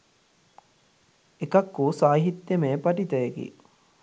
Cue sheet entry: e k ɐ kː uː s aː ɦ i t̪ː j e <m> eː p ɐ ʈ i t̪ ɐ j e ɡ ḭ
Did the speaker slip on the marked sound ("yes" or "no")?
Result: no